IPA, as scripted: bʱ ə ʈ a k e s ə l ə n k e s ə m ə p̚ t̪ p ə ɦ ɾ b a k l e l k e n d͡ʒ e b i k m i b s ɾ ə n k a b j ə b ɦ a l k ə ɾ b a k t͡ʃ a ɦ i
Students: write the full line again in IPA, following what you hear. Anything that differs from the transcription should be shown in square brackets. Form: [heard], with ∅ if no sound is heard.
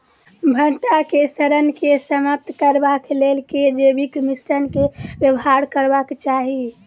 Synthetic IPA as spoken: bʱ ə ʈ a k e s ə [ɾ] ə n k e s ə m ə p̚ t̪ [k] ə [∅] ɾ b a k l e l k e [∅] d͡ʒ e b i k m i [∅] s ɾ ə n k [e] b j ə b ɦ a [ɾ] k ə ɾ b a k t͡ʃ a ɦ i